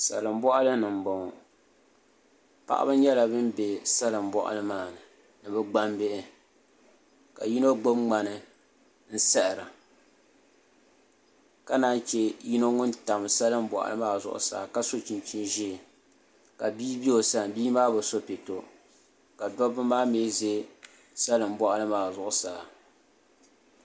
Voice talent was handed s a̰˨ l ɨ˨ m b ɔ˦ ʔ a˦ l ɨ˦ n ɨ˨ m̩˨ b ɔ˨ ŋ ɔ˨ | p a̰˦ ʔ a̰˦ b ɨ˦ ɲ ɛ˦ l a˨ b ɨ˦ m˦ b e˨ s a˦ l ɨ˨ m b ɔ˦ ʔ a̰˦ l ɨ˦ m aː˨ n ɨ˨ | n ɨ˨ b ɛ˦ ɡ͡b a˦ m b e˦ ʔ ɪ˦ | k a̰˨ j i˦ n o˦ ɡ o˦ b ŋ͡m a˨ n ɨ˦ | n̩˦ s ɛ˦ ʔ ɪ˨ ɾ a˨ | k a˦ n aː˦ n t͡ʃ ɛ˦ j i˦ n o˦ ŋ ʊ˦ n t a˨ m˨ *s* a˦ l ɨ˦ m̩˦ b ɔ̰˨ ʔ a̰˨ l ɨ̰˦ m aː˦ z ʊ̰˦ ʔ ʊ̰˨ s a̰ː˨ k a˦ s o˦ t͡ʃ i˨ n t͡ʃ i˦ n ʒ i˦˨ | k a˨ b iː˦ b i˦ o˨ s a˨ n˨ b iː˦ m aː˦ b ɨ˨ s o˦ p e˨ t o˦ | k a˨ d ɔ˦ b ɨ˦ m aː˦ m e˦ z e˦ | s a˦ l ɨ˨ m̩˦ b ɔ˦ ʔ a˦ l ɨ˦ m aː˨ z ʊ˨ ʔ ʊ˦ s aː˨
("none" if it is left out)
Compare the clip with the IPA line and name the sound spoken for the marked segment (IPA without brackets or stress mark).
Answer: s